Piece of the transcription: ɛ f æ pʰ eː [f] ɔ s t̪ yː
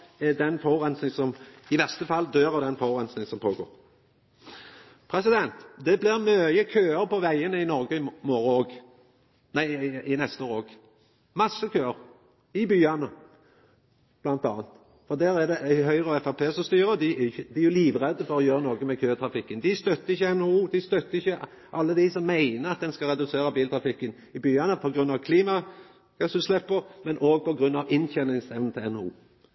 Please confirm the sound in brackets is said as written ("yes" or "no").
no